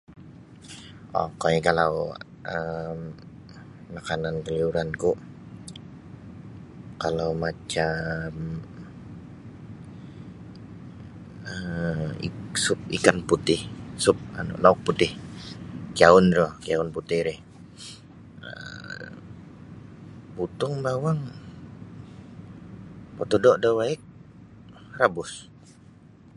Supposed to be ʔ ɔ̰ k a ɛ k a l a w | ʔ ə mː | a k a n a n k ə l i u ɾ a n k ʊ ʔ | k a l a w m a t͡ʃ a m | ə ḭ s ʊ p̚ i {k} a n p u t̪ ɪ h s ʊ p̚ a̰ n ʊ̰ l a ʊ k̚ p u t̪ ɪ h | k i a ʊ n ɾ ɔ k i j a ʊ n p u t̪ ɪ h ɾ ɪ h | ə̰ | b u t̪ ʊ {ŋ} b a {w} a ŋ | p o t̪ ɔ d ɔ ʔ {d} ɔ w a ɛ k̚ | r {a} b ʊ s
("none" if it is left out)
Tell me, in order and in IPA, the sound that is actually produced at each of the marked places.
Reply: k, ŋ, w, d, a

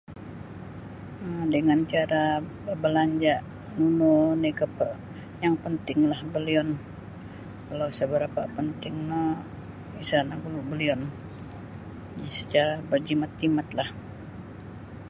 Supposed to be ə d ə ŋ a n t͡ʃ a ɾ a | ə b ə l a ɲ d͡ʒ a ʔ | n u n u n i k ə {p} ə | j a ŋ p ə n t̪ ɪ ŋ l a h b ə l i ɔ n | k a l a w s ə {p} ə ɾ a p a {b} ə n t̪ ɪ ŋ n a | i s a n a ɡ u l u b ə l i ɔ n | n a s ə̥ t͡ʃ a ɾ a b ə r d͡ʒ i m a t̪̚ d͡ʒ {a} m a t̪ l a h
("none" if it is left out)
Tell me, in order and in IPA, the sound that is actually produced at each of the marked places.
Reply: p, b, p, i

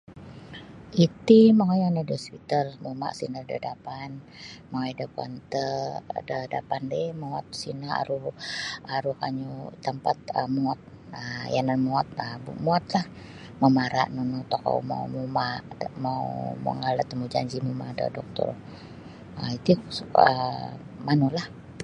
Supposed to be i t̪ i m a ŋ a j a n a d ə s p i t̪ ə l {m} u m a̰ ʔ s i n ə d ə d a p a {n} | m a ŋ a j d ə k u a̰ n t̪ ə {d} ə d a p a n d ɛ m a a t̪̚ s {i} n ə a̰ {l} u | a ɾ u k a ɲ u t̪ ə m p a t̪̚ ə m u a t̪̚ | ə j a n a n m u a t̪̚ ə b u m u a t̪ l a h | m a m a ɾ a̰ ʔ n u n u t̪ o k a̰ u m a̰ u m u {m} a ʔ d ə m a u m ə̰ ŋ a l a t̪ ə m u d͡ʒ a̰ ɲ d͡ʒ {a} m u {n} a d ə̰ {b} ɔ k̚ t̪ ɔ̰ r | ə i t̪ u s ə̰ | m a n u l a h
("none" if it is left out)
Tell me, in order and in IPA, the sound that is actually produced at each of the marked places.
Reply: m, n, d, i, ɾ, m, i, m, d

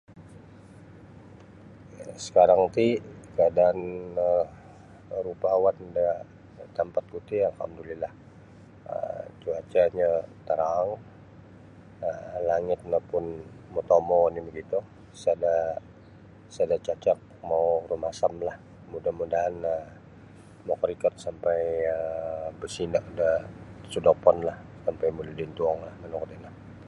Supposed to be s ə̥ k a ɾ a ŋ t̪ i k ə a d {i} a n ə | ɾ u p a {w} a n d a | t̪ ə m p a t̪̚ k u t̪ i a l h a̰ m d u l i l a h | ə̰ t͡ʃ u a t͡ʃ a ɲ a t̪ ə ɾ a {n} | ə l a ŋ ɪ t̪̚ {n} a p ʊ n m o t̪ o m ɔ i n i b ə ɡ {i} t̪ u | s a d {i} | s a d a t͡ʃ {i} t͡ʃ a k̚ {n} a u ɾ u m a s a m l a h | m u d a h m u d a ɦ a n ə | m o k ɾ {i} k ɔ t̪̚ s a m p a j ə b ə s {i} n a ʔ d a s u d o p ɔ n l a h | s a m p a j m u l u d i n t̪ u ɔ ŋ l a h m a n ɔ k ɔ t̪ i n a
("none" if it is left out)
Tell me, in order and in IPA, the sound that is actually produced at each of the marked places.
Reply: a, w, ŋ, n, i, a, a, m, i, i

